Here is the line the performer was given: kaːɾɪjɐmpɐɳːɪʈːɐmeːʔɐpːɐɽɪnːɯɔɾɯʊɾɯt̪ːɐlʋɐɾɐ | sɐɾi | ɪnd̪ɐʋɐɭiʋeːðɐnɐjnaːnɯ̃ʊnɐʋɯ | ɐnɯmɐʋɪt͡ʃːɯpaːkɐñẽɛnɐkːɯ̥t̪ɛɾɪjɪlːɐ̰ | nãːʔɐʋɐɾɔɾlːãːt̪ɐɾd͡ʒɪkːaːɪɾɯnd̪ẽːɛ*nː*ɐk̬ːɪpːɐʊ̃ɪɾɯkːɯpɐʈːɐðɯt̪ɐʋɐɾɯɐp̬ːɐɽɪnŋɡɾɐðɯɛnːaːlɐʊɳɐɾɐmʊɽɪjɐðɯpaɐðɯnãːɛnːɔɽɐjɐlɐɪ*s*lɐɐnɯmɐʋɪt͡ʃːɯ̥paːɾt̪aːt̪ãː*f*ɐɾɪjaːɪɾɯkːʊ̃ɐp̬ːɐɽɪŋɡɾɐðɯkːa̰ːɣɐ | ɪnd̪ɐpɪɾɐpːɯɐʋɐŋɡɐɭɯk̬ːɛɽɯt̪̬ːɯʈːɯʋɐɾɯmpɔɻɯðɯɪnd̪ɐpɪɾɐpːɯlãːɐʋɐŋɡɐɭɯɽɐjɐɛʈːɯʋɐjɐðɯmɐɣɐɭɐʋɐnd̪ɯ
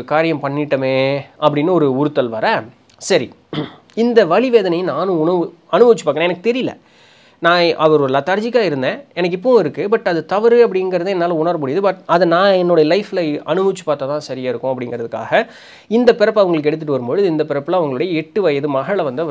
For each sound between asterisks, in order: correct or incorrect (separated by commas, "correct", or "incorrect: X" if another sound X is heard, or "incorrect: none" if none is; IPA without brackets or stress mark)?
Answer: incorrect: n, incorrect: f, incorrect: s